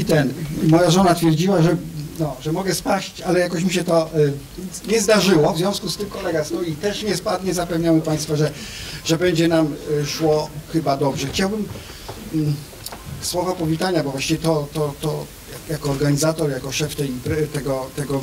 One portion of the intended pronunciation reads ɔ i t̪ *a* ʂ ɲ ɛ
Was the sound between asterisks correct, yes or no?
no